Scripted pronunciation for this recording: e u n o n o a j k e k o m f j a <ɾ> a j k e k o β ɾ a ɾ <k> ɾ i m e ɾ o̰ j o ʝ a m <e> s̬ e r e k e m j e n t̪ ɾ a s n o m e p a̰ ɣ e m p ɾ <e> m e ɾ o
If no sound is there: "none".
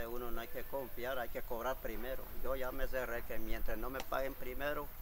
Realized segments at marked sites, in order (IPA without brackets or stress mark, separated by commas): ɾ, p, e, i